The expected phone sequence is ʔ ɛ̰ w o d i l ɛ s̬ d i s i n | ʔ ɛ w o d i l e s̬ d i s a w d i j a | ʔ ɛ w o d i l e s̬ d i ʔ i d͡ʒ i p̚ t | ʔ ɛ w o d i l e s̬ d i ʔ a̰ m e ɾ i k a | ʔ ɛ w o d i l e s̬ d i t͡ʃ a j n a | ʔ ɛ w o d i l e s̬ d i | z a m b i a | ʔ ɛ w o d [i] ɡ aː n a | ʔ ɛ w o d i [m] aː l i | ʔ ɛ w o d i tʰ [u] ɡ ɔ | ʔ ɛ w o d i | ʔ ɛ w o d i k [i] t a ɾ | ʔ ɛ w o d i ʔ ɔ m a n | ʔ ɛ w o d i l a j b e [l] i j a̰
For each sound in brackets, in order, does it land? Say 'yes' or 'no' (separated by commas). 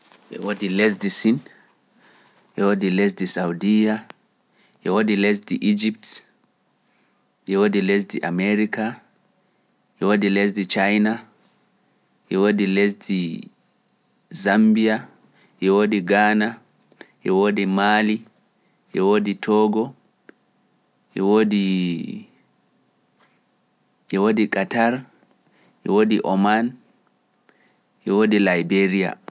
yes, yes, no, no, no